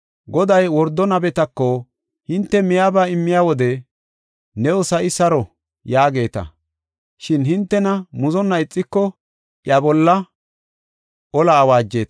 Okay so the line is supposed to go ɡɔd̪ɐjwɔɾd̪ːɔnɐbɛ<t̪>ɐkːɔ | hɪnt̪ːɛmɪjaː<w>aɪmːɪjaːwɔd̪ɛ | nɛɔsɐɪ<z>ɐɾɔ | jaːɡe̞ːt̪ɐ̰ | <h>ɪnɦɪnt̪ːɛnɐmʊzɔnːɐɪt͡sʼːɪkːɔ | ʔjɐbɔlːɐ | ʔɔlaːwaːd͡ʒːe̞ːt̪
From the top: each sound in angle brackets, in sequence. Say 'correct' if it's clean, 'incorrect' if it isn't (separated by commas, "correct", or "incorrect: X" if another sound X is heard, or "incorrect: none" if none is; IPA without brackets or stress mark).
correct, incorrect: b, incorrect: s, incorrect: ʃ